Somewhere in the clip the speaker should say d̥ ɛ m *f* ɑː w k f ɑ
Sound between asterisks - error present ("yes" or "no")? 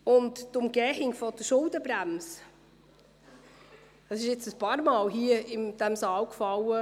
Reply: yes